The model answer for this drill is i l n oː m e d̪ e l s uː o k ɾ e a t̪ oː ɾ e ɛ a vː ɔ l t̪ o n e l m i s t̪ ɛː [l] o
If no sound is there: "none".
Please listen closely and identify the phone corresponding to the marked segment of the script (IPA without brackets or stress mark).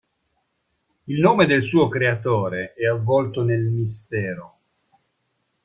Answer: ɾ